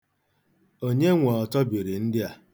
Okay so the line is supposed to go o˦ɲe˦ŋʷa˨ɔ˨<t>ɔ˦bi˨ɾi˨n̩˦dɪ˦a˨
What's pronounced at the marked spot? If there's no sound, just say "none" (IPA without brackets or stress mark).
t